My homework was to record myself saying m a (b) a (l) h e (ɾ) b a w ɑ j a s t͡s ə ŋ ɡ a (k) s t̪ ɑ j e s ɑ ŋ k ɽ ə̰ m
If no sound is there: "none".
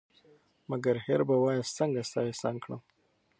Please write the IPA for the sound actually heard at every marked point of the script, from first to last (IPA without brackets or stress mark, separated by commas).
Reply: ɡ, ɾ, ɾ, none